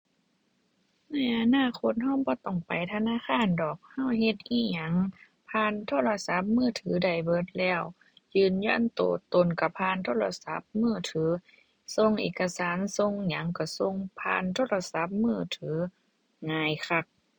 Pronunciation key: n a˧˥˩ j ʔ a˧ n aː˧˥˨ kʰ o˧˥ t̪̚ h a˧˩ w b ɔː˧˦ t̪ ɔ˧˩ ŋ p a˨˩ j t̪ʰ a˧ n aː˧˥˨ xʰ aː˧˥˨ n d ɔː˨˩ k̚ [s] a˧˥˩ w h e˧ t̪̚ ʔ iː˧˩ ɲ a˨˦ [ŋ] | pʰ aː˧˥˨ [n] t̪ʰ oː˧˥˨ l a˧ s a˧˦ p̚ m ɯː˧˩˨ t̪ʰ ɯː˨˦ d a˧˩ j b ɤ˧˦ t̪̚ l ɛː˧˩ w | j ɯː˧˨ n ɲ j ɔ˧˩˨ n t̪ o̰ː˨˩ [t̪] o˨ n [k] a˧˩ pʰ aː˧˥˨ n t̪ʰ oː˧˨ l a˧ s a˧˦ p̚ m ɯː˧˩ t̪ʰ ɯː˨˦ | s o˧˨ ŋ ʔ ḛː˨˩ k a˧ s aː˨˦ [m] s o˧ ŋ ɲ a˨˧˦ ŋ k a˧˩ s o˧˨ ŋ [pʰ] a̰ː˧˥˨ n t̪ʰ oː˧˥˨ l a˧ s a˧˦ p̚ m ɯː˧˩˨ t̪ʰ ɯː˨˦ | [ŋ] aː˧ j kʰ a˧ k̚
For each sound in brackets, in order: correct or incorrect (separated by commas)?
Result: incorrect, correct, correct, correct, correct, incorrect, correct, correct